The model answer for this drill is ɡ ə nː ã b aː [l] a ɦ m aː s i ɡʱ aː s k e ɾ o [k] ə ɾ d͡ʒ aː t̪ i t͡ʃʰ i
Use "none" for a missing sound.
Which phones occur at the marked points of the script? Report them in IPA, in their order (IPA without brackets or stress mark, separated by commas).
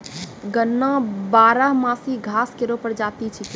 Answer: ɾ, p